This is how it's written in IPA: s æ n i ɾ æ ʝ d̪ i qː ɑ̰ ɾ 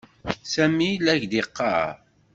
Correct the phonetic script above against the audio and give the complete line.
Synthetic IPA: s æ m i l æ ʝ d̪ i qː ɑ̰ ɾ

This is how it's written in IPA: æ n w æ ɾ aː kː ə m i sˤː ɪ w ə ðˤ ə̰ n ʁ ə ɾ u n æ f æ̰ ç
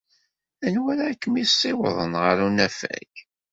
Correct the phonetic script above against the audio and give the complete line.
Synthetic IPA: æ n w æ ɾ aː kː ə m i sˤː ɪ w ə ðˤ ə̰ n ʁ ə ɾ u n æ f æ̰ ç

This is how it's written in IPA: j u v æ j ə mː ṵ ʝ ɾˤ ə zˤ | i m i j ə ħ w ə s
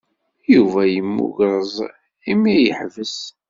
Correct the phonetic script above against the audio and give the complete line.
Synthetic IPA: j u v æ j ə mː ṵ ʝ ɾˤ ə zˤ | i m i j ə ħ v ə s

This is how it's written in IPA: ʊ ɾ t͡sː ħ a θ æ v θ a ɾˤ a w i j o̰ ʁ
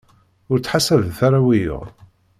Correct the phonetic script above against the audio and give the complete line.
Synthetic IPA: ʊ ɾ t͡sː ħ a s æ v θ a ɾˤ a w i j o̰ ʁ

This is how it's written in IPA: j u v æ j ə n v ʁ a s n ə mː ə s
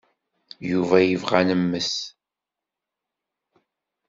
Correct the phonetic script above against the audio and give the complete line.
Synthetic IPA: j u v æ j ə v ʁ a n ə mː ə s

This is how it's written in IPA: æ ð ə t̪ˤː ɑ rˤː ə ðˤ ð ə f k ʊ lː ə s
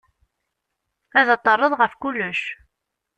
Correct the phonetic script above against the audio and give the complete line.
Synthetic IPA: æ ð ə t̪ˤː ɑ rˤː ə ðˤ ʁ ə f k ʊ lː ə ʃ

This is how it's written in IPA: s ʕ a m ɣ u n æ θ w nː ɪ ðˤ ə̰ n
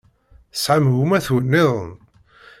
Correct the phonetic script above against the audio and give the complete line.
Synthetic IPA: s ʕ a m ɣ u m æ θ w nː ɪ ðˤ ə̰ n

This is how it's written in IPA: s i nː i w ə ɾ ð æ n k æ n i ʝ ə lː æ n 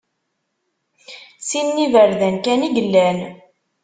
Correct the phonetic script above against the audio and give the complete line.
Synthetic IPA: s i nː i v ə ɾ ð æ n k æ n i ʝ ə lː æ n

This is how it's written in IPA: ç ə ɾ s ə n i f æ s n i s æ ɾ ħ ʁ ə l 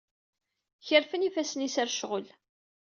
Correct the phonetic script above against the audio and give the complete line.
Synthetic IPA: ç ə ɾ f ə n i f æ s n i s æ ɾ ʃ ʁ ə l

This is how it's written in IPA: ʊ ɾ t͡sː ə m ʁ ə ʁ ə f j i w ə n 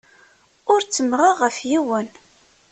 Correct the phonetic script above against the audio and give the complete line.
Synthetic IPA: ʊ ɾ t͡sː ə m ʁ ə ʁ ə f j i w ə n

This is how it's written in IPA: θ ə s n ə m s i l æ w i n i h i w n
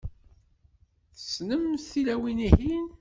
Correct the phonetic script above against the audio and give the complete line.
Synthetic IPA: θ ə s n ə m θ i l æ w i n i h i n

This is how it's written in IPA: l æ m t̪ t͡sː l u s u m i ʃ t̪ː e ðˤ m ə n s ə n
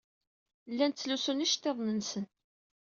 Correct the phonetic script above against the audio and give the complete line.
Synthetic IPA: lː æ n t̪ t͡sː l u s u n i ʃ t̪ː e ðˤ n ə n s ə n

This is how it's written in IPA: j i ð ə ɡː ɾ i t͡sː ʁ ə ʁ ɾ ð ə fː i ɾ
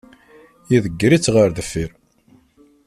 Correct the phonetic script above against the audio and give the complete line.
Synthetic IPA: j i ð ə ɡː ɾ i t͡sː ʁ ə ɾ ð ə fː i ɾ

